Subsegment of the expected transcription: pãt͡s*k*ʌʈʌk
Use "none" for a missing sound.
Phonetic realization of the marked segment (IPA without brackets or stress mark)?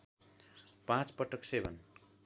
p